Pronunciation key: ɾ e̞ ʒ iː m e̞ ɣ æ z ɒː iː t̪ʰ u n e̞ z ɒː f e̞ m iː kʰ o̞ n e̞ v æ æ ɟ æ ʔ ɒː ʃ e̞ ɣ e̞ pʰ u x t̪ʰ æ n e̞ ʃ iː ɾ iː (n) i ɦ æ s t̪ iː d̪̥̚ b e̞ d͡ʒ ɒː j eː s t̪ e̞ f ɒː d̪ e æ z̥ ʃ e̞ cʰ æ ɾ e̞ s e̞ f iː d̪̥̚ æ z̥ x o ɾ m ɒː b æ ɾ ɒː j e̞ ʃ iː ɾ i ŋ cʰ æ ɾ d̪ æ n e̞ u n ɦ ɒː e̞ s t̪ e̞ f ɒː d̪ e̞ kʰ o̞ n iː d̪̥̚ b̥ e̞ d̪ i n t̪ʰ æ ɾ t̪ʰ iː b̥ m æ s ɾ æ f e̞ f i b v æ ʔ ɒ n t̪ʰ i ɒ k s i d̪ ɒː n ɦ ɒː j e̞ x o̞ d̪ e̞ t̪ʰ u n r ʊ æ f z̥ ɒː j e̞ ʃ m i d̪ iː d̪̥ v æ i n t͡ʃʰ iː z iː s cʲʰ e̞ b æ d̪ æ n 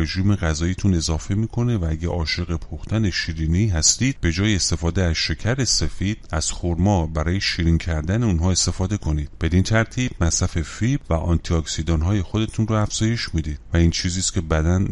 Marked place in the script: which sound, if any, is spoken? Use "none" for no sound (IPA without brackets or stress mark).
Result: n